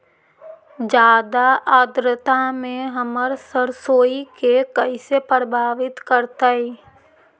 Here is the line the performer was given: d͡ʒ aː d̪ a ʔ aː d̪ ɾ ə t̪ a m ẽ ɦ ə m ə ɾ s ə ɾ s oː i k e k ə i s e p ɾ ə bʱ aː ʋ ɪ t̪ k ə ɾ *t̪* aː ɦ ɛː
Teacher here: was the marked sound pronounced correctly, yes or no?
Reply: yes